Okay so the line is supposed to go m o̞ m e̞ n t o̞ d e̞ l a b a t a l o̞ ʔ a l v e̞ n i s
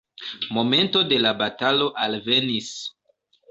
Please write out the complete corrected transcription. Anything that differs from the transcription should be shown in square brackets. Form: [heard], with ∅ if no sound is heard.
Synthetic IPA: m o̞ m e̞ n t o̞ d e̞ l a b a t a l o̞ ʔ a l v e̞ n i s